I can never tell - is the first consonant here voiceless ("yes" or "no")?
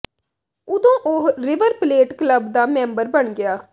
no